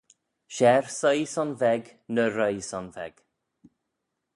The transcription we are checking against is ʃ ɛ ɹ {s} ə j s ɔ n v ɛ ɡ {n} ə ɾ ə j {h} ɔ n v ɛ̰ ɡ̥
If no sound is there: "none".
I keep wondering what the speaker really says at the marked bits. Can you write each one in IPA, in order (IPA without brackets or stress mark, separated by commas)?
s, n, s